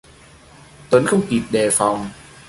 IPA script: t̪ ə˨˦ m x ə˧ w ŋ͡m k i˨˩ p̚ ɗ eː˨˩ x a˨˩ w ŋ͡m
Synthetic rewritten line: t̪ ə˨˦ n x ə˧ w ŋ͡m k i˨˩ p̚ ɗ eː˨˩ f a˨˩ w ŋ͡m